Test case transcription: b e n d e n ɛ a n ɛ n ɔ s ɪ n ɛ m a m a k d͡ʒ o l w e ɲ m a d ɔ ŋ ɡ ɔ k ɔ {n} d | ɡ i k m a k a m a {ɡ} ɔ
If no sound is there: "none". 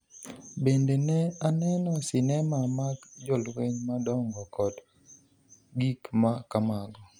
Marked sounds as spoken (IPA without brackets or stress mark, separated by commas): none, ɡ